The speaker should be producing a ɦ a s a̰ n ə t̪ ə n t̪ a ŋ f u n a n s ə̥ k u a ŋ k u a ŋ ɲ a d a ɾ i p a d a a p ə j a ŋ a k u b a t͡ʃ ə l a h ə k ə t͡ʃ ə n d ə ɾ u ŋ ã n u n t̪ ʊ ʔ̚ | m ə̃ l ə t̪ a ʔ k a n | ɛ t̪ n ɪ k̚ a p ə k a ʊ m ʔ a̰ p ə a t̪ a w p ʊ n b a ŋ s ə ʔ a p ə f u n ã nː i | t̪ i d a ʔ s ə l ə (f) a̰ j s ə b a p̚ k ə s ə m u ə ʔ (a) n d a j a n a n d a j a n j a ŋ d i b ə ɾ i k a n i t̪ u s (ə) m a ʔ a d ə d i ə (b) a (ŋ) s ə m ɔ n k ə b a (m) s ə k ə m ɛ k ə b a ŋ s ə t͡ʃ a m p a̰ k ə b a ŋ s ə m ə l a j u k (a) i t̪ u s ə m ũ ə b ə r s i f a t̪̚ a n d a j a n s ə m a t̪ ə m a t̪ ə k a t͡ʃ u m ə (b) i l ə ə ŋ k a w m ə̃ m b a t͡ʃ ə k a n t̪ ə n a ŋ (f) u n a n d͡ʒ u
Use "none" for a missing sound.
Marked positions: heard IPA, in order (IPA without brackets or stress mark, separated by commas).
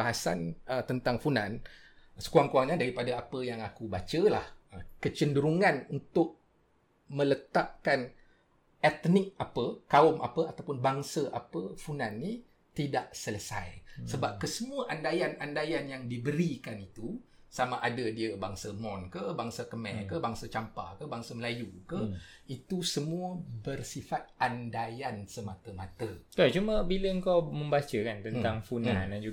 s, a, a, b, ŋ, ŋ, ə, b, f